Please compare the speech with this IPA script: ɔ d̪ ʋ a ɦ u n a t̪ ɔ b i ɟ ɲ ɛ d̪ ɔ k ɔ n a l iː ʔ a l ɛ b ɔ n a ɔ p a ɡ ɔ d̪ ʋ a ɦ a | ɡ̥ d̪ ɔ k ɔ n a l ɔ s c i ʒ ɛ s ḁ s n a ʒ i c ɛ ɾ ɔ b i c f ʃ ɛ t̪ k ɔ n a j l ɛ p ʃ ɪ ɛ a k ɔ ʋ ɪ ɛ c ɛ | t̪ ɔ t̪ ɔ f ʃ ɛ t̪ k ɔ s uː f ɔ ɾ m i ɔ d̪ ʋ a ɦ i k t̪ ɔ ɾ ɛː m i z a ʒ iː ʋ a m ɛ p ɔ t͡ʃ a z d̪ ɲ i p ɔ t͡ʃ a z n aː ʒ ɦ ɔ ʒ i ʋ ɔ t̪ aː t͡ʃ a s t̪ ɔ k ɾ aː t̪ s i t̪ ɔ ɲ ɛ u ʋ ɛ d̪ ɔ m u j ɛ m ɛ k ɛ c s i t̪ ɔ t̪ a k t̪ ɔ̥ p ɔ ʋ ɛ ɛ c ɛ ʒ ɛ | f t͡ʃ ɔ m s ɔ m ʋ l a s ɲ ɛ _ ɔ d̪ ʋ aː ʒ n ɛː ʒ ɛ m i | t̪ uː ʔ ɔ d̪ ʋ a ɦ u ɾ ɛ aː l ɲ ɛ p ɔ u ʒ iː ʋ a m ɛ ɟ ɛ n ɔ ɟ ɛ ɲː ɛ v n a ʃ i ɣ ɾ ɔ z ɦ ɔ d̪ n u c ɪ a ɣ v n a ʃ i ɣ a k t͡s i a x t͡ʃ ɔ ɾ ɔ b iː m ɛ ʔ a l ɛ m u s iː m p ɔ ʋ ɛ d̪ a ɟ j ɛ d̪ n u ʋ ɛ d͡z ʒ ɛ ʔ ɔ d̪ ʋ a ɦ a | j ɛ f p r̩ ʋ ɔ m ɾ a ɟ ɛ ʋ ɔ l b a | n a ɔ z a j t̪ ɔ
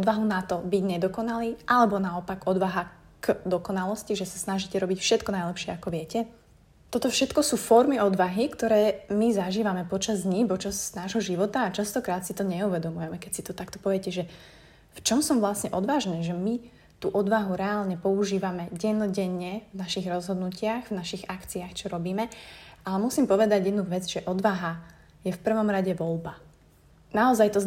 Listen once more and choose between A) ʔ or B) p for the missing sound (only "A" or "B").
A